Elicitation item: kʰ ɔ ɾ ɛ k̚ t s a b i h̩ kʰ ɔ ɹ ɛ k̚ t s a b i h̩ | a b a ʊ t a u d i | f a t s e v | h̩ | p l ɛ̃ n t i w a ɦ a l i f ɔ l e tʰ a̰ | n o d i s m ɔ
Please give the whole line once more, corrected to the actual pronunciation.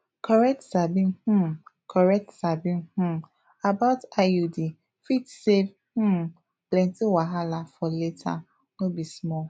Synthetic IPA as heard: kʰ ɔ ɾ ɛ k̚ t s a b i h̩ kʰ ɔ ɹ ɛ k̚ t s a b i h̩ | a b a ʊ t a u d i | f i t s e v | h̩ | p l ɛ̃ n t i w a ɦ a l a f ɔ l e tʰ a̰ | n o b i s m ɔ

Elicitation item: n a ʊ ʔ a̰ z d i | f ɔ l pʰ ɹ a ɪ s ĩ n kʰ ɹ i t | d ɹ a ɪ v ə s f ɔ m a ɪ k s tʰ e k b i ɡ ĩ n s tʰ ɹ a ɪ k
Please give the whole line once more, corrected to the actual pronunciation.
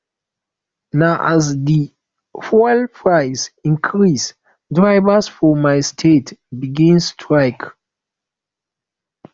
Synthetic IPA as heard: n a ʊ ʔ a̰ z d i | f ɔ l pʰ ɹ a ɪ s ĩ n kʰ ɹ i s | d ɹ a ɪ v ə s f ɔ m a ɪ s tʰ e t b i ɡ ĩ n s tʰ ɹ a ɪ k

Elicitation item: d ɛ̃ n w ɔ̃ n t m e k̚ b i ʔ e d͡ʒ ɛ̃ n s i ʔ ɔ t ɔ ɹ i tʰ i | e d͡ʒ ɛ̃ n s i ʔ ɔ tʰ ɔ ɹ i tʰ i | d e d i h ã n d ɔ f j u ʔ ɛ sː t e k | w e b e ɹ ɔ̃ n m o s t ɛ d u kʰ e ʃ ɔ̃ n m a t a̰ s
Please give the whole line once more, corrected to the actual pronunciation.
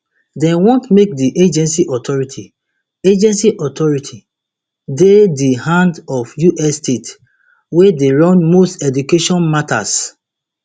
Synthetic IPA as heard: d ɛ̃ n w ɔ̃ n t m e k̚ d i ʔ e d͡ʒ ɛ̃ n s i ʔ ɔ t ɔ ɹ i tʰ i | e d͡ʒ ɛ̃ n s i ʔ ɔ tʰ ɔ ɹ i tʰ i | d e d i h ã n d ɔ f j u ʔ ɛ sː t e t | w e d e ɹ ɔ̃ n m o s t ɛ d u k e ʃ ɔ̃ n m a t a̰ s

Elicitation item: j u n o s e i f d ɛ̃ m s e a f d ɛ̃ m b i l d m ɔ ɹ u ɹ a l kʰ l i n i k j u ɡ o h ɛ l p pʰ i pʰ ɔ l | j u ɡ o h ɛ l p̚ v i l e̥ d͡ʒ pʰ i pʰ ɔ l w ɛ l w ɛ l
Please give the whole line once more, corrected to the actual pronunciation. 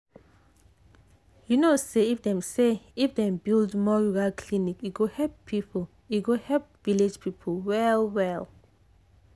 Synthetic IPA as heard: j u n o s e i f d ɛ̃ m s e i f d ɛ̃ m b i l d m ɔ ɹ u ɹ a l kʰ l i n i k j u ɡ o h ɛ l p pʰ i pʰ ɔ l | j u ɡ o h ɛ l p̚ v i l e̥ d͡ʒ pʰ i pʰ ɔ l w ɛ l w ɛ l

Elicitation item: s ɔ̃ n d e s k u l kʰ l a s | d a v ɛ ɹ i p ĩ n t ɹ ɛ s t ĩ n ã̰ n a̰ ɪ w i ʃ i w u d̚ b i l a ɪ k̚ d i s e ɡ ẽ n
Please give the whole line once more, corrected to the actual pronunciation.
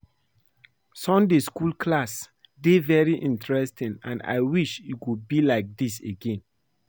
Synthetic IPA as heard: s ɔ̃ n d e s k u l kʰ l a s | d e v ɛ ɹ i ʔ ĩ n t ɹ ɛ s t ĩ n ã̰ n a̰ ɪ w i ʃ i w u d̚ b i l a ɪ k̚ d i s e ɡ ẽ n

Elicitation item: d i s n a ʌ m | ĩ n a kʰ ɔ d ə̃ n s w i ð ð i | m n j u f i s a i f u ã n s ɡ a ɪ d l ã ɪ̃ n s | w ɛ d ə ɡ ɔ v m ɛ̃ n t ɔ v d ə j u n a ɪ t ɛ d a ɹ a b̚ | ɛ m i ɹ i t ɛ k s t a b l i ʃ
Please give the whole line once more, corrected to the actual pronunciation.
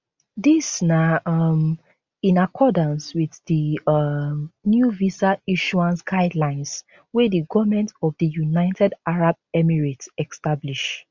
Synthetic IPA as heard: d i s n a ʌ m | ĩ n a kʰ ɔ d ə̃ n s w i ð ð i | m n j u v i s a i ʃ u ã n s ɡ a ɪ d l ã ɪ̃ n s | w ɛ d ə ɡ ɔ v m ɛ̃ n t ɔ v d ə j u n a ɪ t ɛ d a ɹ a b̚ | ɛ m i ɹ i t ɛ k s t a b l i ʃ

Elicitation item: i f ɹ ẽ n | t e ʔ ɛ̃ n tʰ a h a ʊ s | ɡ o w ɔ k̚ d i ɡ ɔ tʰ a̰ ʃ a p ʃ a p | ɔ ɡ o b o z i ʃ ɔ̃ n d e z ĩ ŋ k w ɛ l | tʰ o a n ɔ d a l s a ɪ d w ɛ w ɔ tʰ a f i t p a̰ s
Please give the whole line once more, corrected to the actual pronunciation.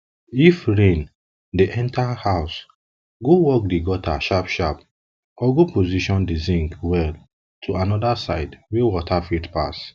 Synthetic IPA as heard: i f ɹ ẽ n | d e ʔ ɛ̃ n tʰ a h a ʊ s | ɡ o w ɔ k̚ d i ɡ ɔ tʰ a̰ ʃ a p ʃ a p | ɔ ɡ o p o z i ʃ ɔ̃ n d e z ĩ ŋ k w ɛ l | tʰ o a n ɔ d a s a ɪ d w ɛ w ɔ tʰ a f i t p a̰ s

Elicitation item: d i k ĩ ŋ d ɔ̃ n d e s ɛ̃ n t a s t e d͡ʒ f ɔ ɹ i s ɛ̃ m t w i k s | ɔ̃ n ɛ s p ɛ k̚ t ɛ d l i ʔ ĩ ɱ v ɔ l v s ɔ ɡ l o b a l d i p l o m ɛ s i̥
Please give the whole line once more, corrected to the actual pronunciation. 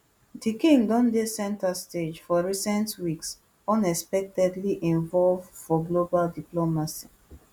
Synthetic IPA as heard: d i k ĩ ŋ d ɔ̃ n d e s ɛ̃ n t a s t e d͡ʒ f ɔ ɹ i s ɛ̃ n t w i k s | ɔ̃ n ɛ s p ɛ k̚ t ɛ d l i ʔ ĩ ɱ v ɔ l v f ɔ ɡ l o b a l d i p l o m a s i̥

